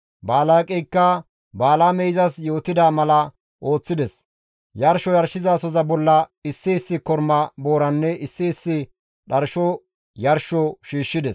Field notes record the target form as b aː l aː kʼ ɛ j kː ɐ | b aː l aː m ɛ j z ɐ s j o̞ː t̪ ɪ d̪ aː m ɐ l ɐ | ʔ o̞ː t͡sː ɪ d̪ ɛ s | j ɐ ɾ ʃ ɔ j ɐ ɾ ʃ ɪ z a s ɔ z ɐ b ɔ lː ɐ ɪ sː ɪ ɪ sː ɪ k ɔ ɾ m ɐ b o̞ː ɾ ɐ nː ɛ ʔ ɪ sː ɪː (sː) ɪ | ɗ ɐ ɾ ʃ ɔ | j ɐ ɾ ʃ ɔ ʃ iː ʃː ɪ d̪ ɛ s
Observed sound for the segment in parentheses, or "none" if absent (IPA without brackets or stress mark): sː